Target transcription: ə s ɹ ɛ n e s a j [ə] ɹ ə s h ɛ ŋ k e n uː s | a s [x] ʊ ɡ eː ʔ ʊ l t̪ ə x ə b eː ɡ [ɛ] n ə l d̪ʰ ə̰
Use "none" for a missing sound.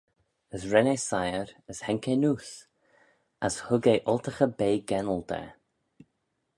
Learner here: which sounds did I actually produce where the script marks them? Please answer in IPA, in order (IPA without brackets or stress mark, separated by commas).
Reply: ə, h, ɛ